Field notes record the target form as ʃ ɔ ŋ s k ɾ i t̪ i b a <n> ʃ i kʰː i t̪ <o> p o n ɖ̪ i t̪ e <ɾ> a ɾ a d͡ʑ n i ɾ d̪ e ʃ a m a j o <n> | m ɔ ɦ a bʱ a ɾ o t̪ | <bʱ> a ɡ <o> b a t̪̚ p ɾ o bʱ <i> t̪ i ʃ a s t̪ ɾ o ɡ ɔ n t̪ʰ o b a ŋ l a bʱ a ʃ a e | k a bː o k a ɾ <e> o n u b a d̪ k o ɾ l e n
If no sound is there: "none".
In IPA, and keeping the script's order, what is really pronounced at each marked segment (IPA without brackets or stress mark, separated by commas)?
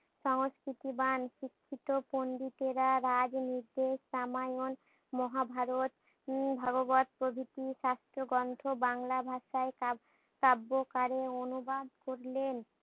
n, o, ɾ, n, bʱ, o, i, e